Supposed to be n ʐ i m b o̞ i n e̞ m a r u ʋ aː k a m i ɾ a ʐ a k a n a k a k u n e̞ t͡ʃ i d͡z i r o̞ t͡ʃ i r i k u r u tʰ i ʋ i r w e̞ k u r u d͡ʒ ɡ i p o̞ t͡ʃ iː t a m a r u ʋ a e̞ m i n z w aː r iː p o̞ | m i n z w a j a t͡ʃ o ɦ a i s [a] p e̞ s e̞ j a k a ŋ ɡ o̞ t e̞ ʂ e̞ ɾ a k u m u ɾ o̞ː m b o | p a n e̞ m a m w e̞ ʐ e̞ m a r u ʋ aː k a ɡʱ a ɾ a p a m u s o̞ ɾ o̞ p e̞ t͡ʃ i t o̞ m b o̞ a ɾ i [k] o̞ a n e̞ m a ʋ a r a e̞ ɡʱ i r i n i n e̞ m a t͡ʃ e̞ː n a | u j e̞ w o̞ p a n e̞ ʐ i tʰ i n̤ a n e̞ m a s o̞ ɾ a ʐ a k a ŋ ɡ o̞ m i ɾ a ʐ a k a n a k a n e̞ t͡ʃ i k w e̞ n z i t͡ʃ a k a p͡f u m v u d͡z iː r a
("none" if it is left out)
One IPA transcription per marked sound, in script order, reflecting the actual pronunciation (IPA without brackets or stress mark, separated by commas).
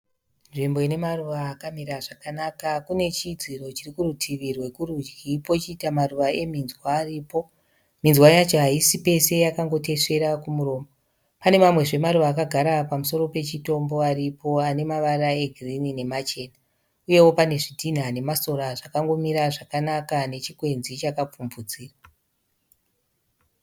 i, p